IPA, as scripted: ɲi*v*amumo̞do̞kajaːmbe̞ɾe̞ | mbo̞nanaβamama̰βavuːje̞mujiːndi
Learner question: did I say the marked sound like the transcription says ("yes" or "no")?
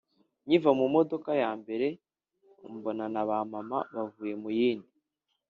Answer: yes